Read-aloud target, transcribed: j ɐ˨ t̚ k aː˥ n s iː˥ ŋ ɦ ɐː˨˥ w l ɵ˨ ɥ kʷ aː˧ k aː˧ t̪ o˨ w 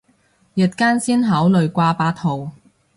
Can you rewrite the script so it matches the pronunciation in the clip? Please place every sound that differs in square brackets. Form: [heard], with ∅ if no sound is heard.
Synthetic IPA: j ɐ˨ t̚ k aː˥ n s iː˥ [n] ɦ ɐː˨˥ w l ɵ˨ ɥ kʷ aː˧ [p] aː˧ [t̪ʰ] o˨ w